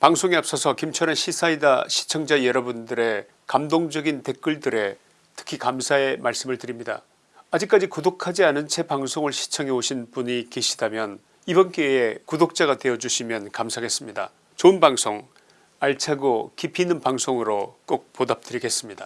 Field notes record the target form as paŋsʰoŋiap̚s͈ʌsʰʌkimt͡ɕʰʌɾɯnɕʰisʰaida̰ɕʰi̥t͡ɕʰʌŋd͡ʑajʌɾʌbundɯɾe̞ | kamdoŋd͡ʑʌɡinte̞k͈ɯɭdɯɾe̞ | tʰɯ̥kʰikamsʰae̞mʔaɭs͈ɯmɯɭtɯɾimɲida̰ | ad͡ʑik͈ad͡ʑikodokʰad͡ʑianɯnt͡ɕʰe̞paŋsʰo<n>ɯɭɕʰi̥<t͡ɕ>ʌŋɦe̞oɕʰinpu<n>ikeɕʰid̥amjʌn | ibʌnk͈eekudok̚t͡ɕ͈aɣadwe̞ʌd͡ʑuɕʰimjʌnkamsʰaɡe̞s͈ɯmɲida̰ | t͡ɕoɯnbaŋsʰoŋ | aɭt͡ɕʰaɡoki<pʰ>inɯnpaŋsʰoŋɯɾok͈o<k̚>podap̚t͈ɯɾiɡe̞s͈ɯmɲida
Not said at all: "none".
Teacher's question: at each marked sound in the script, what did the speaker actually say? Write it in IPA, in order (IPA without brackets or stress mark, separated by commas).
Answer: ŋ, t͡ɕʰ, ɲ, pʰ, k̚